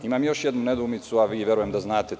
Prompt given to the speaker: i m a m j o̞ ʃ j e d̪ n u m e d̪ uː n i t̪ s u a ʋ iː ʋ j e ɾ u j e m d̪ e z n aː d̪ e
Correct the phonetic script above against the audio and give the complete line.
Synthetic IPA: i m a m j o̞ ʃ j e d̪ n u n e d̪ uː m i t̪ s u a ʋ iː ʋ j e ɾ u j e m d̪ a z n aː t̪ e

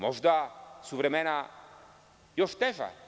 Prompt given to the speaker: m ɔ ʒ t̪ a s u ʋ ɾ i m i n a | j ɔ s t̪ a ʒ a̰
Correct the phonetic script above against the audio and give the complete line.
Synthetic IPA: m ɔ ʒ d̪ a s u v ɾ ɛ m ɛ n a | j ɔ ʃ t̪ ɛ ʒ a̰

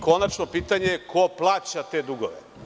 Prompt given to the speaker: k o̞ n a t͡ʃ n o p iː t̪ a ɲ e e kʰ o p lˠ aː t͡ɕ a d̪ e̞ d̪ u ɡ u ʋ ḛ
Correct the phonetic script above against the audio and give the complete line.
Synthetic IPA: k o̞ n a t͡ʃ n o p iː t̪ a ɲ e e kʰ o p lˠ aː t͡ɕ a t̪ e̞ d̪ u ɡ o ʋ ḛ

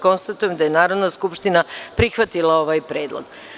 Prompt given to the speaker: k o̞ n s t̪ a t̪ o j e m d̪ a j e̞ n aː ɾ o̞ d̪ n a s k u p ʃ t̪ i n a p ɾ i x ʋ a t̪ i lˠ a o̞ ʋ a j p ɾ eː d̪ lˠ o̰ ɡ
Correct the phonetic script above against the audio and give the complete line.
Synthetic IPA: k o̞ n s t̪ a t̪ u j e m d̪ a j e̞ n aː ɾ o̞ d̪ n a s k u p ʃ t̪ i n a p ɾ i x ʋ a t̪ i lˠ a o̞ ʋ a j p ɾ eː d̪ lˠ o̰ ɡ

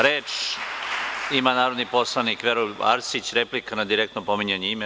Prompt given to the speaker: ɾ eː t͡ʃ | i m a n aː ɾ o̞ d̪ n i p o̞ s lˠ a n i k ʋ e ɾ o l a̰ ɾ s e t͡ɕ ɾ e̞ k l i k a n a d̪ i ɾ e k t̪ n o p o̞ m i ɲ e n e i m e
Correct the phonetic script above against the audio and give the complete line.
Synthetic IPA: ɾ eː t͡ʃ | i m a n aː ɾ o̞ d̪ n i p o̞ s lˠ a n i k ʋ e ɾ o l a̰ ɾ s i t͡ɕ ɾ e̞ p l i k a n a d̪ i ɾ e k t̪ n o p o̞ m i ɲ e ɲ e i m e

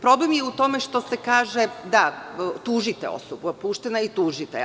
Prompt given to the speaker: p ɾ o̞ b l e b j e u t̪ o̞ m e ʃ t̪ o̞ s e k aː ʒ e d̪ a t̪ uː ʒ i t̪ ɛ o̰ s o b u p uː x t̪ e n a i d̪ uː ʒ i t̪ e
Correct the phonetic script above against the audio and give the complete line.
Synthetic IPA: p ɾ o̞ b l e m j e u t̪ o̞ m e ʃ t̪ o̞ s e k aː ʒ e d̪ a t̪ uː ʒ i t̪ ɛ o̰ s o b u p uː ʃ t̪ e n a i t̪ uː ʒ i t̪ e

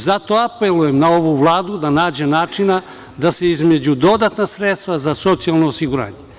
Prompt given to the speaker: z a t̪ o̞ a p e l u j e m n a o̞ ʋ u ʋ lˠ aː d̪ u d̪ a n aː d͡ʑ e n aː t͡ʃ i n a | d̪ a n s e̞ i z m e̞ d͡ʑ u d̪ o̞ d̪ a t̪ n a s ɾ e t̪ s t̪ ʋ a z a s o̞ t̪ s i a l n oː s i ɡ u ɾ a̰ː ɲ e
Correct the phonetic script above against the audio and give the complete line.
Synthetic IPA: z a t̪ o̞ a p e l u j e m n a o̞ ʋ u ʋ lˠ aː d̪ u d̪ a n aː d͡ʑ e n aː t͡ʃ i n a | d̪ a s e̞ i z m e̞ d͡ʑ u d̪ o̞ d̪ a t̪ n a s ɾ e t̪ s t̪ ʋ a z a s o̞ t̪ s i a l n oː s i ɡ u ɾ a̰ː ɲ e

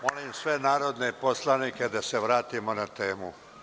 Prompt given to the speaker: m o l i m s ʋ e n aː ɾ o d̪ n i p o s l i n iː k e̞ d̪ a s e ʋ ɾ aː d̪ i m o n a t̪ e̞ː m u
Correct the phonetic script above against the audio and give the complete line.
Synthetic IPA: m o l i m s ʋ e n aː ɾ o d̪ n e p o s l a n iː k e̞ d̪ a s e ʋ ɾ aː t̪ i m o n a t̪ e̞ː m u

